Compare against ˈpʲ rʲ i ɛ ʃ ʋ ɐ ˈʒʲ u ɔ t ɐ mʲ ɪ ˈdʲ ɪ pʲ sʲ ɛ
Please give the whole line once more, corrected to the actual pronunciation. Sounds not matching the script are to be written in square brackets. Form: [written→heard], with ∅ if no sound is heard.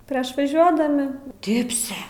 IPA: ˈpʲ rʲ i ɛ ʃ ʋ ɐ ˈʒʲ u ɔ [t→d] ɐ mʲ ɪ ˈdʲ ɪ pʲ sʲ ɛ